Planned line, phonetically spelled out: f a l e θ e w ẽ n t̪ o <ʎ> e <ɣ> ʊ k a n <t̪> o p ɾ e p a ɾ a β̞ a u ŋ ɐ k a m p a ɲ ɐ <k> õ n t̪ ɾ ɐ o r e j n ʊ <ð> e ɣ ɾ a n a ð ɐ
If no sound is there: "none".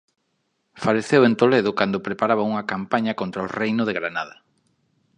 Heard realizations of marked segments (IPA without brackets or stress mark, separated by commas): l, ð, d̪, k, ð